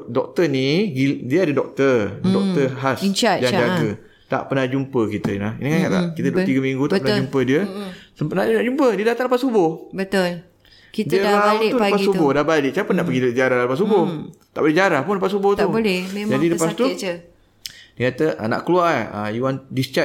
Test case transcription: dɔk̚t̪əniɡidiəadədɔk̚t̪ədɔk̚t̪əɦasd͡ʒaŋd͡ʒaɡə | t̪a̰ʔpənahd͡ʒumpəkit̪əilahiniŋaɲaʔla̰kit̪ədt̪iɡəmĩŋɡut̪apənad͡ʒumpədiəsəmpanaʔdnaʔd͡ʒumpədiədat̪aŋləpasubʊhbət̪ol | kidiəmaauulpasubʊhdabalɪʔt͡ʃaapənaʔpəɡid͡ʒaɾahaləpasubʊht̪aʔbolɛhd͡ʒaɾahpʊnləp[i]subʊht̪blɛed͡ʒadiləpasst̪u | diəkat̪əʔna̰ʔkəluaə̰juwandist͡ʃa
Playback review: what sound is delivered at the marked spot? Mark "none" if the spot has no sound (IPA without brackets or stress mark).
a